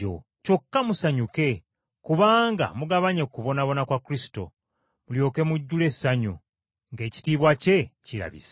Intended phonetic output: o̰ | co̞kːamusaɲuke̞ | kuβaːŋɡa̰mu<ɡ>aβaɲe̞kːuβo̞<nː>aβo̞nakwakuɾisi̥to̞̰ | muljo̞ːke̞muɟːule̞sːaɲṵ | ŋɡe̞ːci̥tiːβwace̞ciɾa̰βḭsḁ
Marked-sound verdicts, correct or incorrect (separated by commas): correct, incorrect